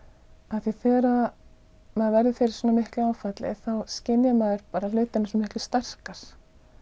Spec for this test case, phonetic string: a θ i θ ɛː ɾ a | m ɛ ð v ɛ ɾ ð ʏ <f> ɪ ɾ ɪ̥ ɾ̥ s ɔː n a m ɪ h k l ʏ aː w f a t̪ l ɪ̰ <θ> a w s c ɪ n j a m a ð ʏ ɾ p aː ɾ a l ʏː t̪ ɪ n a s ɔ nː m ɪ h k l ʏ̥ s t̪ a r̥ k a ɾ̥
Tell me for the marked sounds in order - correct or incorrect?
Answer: correct, correct

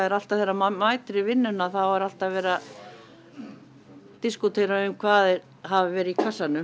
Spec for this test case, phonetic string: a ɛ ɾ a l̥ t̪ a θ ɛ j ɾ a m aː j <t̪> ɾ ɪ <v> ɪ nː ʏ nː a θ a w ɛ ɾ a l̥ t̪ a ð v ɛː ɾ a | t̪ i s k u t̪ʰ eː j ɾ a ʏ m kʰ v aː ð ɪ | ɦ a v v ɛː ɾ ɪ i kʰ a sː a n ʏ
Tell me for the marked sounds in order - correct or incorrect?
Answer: correct, correct

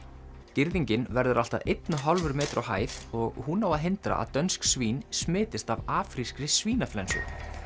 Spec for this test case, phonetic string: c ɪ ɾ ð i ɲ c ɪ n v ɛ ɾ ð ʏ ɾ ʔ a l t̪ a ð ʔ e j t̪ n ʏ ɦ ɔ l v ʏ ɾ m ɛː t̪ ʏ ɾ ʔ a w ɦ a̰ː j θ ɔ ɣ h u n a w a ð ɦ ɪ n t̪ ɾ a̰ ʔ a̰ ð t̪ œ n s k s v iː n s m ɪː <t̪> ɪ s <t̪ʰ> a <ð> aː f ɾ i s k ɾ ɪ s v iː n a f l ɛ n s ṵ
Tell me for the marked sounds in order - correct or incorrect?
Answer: correct, incorrect: t̪, incorrect: v

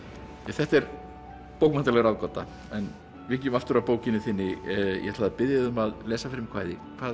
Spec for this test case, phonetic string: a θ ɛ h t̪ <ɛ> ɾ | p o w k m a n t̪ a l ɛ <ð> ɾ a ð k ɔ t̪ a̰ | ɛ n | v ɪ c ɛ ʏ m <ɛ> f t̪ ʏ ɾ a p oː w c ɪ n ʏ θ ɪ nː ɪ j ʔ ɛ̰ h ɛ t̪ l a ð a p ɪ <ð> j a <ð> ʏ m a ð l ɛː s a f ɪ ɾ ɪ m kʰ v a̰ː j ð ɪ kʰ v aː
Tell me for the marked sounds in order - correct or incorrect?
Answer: correct, incorrect: ɣ, incorrect: a, correct, correct

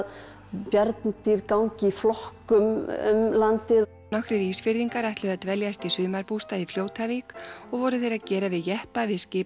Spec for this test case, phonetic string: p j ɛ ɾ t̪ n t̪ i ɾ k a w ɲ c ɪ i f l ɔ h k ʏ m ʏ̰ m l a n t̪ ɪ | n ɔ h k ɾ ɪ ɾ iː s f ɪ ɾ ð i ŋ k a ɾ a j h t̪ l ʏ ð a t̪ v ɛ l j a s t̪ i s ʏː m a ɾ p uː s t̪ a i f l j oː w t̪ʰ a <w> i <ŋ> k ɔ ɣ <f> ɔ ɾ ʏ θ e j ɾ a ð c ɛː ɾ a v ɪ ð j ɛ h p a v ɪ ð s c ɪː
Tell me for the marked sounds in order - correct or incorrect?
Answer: incorrect: v, incorrect: none, incorrect: v

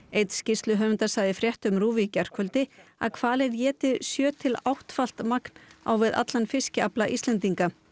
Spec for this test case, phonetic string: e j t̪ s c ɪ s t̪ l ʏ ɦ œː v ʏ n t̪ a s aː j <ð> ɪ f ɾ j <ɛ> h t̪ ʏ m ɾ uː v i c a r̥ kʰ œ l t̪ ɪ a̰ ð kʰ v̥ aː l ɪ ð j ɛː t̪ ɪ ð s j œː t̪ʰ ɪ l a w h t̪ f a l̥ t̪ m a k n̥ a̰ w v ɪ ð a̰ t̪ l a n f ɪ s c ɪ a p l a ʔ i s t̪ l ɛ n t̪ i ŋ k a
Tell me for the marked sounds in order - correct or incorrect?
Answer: correct, correct

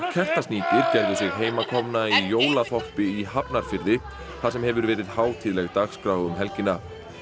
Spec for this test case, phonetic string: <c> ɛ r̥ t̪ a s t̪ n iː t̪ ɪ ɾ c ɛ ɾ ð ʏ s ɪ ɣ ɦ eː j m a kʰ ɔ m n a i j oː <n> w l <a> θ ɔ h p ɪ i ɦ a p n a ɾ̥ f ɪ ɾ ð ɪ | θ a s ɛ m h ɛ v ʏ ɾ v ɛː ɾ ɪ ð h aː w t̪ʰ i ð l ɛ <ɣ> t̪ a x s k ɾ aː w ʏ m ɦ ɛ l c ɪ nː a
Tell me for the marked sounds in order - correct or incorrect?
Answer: incorrect: cʰ, incorrect: none, correct, correct

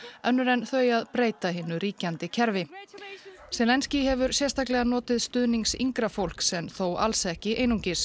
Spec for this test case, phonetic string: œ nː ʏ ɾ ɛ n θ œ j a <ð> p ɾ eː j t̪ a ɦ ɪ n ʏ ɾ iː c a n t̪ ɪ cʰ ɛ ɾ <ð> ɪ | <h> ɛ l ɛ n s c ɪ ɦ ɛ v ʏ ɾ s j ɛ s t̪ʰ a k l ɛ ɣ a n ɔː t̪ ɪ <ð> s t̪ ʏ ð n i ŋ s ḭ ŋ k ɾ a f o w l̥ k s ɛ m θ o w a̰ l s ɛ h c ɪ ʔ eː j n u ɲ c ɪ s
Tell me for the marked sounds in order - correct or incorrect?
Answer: correct, incorrect: v, incorrect: s, correct

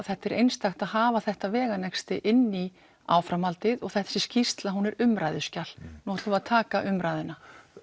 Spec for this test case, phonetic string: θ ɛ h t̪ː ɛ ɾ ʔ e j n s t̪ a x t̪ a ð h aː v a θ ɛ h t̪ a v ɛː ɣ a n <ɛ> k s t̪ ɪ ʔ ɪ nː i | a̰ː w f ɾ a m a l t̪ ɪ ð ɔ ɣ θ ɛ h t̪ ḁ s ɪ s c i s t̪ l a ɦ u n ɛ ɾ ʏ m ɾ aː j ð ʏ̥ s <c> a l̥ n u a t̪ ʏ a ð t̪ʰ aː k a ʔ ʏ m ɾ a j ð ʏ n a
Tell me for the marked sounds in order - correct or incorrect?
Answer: correct, correct

